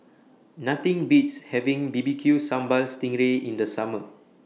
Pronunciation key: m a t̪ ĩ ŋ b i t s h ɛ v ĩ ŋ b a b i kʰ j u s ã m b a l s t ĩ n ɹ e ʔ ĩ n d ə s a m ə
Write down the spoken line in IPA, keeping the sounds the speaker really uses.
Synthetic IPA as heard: n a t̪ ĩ ŋ b i t s h ɛ v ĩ ŋ b i b i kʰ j u s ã m b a l s t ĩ ŋ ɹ e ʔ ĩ n d ə s a m ə